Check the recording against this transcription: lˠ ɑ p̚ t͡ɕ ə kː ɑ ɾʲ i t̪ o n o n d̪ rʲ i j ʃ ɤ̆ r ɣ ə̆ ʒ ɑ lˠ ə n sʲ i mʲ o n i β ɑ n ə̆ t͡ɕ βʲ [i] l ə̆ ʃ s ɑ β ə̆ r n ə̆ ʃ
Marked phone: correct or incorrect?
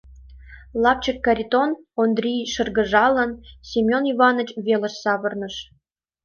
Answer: incorrect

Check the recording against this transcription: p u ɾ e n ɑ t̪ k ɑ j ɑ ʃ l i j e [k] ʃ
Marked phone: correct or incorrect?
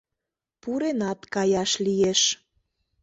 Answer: incorrect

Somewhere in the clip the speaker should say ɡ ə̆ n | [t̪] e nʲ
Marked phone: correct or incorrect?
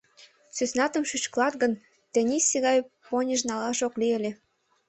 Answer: correct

